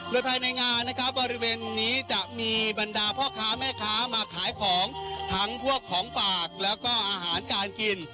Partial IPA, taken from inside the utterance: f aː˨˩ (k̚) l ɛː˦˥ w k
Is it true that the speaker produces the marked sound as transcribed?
yes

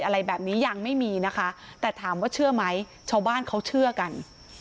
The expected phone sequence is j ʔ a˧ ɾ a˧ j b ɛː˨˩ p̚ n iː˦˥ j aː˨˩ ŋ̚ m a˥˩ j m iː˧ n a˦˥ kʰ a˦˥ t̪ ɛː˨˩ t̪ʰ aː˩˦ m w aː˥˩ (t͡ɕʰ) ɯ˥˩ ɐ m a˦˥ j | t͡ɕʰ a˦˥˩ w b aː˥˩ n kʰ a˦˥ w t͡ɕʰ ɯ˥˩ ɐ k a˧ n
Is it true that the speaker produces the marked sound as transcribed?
yes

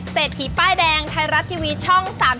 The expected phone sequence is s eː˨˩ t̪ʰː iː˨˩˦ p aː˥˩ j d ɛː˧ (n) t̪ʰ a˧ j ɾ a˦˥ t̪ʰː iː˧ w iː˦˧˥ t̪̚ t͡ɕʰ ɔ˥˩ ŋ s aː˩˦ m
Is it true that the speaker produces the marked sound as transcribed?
no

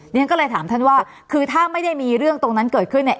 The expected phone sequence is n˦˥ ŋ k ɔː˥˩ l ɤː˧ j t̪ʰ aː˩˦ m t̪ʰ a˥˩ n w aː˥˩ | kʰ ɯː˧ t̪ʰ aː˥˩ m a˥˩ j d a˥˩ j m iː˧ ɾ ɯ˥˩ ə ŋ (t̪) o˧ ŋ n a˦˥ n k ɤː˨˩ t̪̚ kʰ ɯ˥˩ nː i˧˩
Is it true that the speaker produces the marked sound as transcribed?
yes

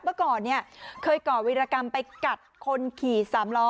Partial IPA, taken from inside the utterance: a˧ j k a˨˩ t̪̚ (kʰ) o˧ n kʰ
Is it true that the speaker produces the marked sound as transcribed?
yes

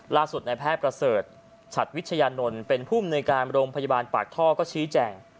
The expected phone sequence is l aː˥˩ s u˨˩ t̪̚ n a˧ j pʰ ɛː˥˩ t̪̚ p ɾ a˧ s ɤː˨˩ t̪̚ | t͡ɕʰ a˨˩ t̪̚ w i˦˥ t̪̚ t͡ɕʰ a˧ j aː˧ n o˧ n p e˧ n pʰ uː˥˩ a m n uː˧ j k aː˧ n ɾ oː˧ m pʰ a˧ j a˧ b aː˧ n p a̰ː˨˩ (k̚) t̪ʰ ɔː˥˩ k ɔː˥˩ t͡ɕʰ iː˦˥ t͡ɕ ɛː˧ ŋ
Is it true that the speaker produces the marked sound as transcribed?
yes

